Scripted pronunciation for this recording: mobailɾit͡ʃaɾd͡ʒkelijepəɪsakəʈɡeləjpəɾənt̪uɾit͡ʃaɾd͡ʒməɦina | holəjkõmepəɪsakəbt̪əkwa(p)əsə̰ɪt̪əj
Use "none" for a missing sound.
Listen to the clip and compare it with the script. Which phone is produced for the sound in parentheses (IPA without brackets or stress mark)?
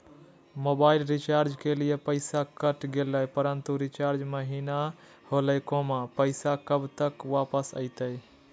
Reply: p